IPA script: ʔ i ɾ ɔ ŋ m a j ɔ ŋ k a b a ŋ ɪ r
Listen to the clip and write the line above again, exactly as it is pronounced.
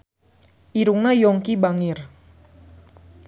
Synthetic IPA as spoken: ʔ i ɾ u ŋ n a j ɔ ŋ k i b a ŋ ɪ r